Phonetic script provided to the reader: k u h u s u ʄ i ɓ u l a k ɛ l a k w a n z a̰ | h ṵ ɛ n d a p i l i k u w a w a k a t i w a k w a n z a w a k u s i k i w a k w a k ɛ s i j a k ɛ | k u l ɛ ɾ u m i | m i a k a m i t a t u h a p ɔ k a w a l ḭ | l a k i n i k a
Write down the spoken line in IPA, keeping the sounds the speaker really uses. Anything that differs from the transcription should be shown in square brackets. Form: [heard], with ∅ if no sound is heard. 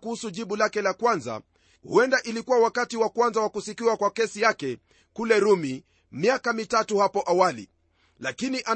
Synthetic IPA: k u h u s u ʄ i ɓ u l a k ɛ l a k w a n z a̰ | h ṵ ɛ n d a [ʔ] i l i k u w a w a k a t i w a k w a n z a w a k u s i k i w a k w a k ɛ s i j a k ɛ | k u l ɛ ɾ u m i | m i a k a m i t a t u h a p ɔ [ʔ] a w a l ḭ | l a k i n i [ʔ] a